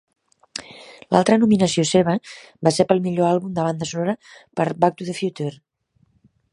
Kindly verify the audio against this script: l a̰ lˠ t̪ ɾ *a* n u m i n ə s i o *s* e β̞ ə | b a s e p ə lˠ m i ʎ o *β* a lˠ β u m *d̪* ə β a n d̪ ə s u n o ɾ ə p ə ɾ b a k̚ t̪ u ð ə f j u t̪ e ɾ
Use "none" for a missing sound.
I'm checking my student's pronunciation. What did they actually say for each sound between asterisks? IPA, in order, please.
ə, s, none, d̪

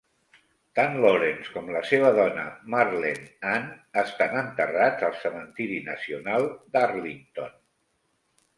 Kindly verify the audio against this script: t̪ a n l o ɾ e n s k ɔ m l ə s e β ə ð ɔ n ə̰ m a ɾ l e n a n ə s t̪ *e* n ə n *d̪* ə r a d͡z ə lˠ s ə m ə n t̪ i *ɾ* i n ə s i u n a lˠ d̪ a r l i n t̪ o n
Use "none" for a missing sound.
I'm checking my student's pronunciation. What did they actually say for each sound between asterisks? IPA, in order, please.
a, t̪, ɾ

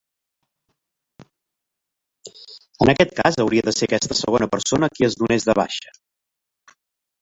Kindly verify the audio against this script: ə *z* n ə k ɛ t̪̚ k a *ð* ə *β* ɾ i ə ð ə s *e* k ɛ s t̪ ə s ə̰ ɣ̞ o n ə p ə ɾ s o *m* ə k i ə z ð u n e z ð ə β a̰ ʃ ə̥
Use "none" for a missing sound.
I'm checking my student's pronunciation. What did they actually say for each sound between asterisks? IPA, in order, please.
none, z, w, e, n

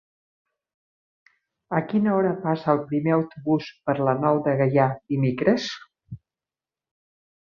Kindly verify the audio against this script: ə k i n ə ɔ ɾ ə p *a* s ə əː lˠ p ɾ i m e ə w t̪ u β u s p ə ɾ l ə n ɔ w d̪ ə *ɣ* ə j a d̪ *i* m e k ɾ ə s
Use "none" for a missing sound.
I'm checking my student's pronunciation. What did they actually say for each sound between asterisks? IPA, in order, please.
a, ɣ, i

